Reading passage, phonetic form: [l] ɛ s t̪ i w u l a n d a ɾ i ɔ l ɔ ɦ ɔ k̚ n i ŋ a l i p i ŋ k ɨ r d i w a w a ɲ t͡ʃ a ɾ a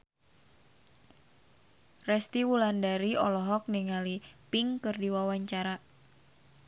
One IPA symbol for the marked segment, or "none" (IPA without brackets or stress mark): r